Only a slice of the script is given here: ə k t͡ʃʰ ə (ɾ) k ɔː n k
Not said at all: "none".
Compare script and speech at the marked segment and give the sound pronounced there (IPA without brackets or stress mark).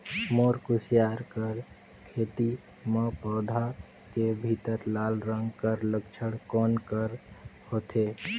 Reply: ɽ